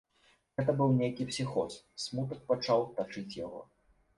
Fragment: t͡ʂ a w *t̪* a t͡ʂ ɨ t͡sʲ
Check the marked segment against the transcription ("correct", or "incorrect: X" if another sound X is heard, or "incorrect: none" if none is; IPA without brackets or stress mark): correct